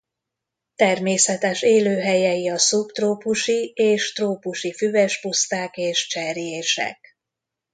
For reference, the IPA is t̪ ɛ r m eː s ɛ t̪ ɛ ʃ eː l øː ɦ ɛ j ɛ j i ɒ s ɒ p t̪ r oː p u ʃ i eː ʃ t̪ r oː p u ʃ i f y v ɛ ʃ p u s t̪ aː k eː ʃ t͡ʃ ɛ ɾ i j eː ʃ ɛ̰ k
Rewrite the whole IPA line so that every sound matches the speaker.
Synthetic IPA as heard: t̪ ɛ r m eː s ɛ t̪ ɛ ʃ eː l øː ɦ ɛ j ɛ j i ɒ s u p t̪ r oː p u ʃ i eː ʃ t̪ r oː p u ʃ i f y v ɛ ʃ p u s t̪ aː k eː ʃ t͡ʃ ɛ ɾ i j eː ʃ ɛ̰ k